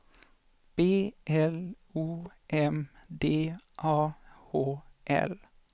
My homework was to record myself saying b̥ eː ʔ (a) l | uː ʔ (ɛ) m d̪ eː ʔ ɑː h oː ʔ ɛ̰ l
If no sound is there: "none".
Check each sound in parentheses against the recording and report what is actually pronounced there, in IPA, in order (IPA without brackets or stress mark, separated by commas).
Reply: ɛ, ɛ